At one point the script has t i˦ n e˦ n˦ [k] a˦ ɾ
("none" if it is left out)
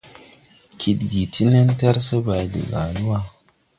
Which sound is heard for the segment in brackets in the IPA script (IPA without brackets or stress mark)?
t